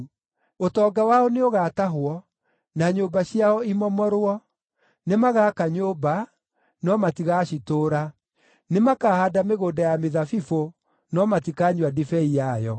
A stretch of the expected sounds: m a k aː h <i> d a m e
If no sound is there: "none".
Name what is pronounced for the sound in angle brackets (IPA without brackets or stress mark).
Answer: a